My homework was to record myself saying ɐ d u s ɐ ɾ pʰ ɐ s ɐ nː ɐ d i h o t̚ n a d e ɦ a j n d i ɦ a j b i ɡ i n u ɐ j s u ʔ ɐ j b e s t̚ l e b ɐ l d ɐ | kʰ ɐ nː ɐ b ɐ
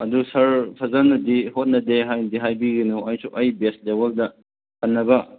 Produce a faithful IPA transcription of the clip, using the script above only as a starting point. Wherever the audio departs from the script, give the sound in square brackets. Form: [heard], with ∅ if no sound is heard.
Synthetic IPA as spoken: ɐ d u s ɐ ɾ pʰ ɐ [z] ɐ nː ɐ d i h o t̚ n [ɐ] d e ɦ a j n d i ɦ a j b i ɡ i n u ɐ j s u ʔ ɐ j b e s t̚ l e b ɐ l d ɐ | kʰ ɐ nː ɐ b ɐ